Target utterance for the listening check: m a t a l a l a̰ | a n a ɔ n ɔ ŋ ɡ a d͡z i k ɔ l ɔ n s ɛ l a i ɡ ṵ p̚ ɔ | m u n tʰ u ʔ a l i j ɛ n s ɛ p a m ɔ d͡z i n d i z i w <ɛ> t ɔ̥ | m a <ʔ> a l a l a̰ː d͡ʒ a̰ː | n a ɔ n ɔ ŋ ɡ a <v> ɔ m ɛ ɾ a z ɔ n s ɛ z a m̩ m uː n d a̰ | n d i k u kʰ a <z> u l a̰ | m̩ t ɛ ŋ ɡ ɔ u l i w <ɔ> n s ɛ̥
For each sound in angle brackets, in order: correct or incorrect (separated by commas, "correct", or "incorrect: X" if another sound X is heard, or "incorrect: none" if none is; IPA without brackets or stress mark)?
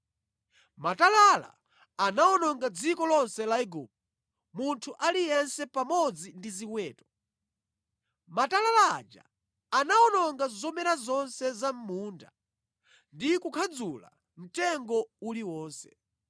incorrect: ɛː, incorrect: t, incorrect: z, incorrect: d͡z, incorrect: ɔː